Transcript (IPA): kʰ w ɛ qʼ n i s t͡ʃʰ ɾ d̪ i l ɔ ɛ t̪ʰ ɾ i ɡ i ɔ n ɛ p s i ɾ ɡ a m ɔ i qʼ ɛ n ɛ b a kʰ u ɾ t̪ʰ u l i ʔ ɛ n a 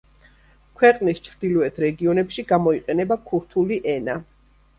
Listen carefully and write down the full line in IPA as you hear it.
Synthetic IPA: kʰ w ɛ qʼ n i s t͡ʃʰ ɾ d̪ i l ɔ ɛ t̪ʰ ɾ ɛ ɡ i ɔ n ɛ p ʃ i ɡ a m ɔ i qʼ ɛ n ɛ b a kʰ u ɾ t̪ʰ u l i ʔ ɛ n a